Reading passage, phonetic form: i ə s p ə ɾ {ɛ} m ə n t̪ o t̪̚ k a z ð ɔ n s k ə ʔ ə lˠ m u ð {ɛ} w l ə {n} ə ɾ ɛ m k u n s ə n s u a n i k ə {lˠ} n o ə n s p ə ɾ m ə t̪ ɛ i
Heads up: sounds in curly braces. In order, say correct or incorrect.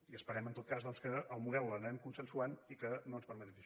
correct, correct, correct, incorrect: none

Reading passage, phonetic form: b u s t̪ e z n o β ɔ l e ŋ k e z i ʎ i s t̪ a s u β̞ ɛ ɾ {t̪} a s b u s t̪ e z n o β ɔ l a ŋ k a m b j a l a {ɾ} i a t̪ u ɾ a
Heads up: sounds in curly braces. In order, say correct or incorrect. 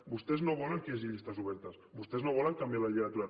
correct, incorrect: ʎ

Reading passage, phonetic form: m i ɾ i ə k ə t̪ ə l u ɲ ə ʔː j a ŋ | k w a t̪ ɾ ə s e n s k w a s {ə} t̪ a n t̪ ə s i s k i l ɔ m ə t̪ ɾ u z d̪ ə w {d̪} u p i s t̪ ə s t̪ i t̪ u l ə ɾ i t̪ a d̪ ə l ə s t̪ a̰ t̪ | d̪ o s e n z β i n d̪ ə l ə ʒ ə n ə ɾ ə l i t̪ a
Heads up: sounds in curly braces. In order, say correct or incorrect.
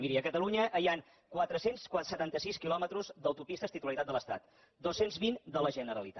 correct, incorrect: t̪

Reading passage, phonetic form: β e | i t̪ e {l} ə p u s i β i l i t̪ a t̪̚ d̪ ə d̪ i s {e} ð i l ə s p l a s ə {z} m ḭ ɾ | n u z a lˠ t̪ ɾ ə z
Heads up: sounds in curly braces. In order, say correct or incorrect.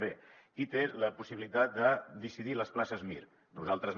correct, incorrect: i, correct

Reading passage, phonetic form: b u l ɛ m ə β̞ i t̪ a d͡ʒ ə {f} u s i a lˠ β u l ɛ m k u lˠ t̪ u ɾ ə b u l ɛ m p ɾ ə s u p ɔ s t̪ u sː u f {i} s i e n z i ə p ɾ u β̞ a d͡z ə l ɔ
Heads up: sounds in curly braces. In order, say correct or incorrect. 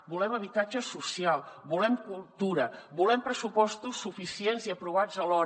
incorrect: s, correct

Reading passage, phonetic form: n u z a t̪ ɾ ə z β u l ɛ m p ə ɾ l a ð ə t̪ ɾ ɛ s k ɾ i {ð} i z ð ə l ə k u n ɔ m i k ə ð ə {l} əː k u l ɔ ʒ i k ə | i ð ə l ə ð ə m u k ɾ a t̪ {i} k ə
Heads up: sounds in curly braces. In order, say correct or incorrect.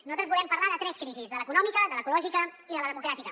incorrect: z, correct, correct

